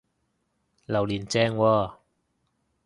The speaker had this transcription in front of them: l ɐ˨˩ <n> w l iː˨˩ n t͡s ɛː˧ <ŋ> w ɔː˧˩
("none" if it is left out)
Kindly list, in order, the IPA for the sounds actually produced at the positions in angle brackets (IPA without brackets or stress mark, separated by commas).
none, ŋ